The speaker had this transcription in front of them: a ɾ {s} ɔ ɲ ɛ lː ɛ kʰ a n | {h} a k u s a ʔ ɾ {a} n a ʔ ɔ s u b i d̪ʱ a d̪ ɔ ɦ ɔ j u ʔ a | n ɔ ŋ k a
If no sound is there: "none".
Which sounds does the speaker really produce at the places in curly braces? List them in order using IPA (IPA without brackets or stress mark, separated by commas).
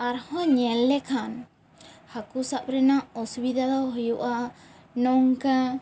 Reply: h, h, ɛ